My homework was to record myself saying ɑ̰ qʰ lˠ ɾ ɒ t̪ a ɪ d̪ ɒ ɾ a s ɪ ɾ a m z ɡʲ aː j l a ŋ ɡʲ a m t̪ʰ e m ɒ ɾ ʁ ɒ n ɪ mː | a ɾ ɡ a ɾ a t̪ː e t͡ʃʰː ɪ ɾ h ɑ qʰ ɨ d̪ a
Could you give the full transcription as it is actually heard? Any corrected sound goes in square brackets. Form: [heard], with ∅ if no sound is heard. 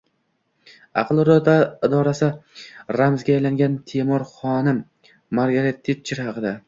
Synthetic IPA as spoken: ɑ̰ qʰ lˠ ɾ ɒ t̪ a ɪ d̪ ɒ ɾ a s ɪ ɾ a m z ɡʲ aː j l a ŋ ɡʲ a [n] t̪ʰ e m ɒ ɾ [χ] ɒ n ɪ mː | a ɾ ɡ a ɾ [e] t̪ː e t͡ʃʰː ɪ ɾ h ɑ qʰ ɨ d̪ a

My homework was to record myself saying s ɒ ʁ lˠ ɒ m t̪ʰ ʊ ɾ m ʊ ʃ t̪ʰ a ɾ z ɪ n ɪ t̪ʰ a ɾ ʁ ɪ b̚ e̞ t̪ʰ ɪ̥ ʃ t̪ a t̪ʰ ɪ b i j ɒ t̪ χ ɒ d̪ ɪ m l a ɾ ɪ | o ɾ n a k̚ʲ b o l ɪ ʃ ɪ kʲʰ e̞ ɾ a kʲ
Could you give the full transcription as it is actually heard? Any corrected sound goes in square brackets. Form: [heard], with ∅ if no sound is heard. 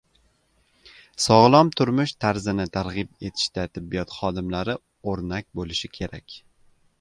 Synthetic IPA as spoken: s ɒ ʁ lˠ ɒ m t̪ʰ ʊ ɾ m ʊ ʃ t̪ʰ a ɾ z ɪ n ɪ t̪ʰ a ɾ ʁ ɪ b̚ e̞ t̪ʰ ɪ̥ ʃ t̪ a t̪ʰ ɪ [bː] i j ɒ t̪ χ ɒ d̪ ɪ m l a ɾ ɪ | o ɾ n a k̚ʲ b o l ɪ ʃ ɪ kʲʰ e̞ ɾ a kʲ

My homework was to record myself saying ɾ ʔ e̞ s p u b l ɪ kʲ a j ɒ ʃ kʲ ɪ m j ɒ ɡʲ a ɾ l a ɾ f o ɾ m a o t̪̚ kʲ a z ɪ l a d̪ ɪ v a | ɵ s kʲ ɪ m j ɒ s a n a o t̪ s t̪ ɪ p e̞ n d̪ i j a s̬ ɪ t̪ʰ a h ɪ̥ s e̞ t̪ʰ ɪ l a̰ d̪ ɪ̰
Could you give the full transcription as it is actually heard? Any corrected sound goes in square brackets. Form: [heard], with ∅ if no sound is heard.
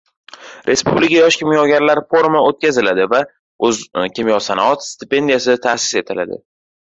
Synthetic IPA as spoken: ɾ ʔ e̞ s p u b l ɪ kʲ a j ɒ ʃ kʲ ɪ m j ɒ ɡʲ a ɾ l a ɾ f o ɾ m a o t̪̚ kʲ a z ɪ l a d̪ ɪ v a | ɵ [z] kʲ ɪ m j ɒ s a n a [ɒ] t̪ s t̪ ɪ p e̞ n d̪ i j a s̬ ɪ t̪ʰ a [s] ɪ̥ s e̞ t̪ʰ ɪ l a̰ d̪ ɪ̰

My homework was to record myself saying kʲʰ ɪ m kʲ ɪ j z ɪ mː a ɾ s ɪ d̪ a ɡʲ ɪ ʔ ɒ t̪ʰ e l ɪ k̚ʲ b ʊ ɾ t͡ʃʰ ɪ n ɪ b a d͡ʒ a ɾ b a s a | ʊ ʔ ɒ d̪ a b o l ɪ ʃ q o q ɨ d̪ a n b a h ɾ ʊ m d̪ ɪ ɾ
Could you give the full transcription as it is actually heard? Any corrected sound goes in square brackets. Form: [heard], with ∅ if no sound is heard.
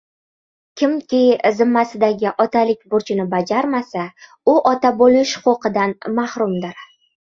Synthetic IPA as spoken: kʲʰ ɪ m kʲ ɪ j z ɪ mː a [∅] s ɪ d̪ a ɡʲ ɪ ʔ ɒ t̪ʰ [a] l ɪ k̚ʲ b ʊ ɾ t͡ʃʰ ɪ n ɪ b a d͡ʒ a ɾ [m] a s a | ʊ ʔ ɒ [t̪] a b o l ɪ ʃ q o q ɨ d̪ a n [m] a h ɾ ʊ m d̪ ɪ ɾ

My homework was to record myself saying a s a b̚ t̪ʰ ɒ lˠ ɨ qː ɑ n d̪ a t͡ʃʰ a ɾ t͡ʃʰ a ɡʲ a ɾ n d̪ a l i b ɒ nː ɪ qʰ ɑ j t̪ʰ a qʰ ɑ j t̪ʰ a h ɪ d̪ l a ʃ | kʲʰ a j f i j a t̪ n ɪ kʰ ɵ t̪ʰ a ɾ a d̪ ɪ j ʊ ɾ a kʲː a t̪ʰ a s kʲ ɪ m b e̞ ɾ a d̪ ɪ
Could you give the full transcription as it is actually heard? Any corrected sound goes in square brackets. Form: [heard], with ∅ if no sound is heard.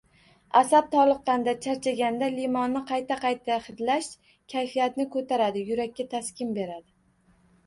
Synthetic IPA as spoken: a s a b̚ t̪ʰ ɒ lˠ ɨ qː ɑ n d̪ a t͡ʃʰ a ɾ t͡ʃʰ a ɡʲ a [∅] n d̪ a l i [m] ɒ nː ɪ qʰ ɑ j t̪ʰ a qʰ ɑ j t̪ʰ a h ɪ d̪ l a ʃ | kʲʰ a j f i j a t̪ n ɪ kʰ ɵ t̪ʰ a ɾ a d̪ ɪ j ʊ ɾ a kʲː a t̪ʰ a s kʲ ɪ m b e̞ ɾ a d̪ ɪ

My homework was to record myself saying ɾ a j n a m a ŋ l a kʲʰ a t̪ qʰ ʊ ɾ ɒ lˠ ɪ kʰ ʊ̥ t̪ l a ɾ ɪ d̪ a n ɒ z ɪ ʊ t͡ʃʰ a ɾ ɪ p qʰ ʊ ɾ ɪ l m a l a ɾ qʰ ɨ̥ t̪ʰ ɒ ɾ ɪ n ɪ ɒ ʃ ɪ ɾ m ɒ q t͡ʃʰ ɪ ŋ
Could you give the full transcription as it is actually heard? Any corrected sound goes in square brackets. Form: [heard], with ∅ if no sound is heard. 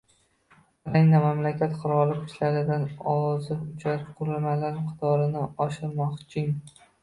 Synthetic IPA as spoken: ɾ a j n a m a [m] l a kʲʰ a t̪ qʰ ʊ ɾ ɒ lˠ ɪ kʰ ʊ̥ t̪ l a ɾ ɪ d̪ a n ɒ z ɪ ʊ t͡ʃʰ a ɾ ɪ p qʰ ʊ ɾ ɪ l m a l a ɾ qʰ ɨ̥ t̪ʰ ɒ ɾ ɪ n ɪ ɒ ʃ ɪ ɾ m ɒ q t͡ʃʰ ɪ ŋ

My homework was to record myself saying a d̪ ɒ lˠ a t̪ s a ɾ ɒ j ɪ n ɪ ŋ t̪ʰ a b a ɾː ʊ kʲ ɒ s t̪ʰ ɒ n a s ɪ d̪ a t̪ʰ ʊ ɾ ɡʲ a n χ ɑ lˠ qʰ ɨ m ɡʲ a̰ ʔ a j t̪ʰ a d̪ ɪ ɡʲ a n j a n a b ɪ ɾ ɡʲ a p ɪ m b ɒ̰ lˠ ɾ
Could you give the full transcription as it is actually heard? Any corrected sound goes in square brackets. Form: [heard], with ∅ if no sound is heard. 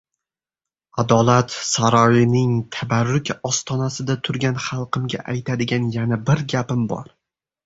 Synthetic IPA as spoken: a d̪ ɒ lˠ a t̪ s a ɾ ɒ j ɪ n ɪ ŋ t̪ʰ a b a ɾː ʊ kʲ ɒ s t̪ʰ ɒ n a s ɪ d̪ a t̪ʰ ʊ ɾ ɡʲ a n χ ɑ lˠ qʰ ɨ m ɡʲ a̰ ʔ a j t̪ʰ a d̪ ɪ ɡʲ a n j a n a b ɪ ɾ ɡʲ a p ɪ m b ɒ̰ [∅] ɾ

